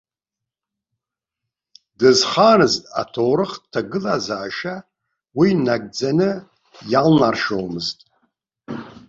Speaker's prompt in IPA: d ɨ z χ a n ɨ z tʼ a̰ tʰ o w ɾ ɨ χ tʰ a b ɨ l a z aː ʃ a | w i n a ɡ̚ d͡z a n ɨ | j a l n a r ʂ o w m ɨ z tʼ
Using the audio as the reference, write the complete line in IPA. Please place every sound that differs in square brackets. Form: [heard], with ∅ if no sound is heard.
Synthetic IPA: d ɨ z χ a n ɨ z tʼ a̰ tʰ o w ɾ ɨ χ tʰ a [ɡ] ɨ l a z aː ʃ a | w i n a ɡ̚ d͡z a n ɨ | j a l n a r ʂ o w m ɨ z tʼ